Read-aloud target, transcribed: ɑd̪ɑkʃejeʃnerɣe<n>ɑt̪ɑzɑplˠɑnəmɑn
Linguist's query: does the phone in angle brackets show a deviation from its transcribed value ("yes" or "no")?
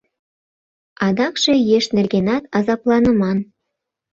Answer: no